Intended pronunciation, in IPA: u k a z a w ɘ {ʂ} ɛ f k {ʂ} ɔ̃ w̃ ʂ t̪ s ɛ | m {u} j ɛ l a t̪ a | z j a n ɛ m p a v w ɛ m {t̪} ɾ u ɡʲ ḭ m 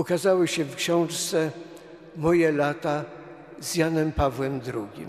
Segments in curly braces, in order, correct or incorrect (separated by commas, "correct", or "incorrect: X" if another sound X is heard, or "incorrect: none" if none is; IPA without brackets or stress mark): incorrect: ɕ, incorrect: ɕ, incorrect: ɔ, incorrect: d̪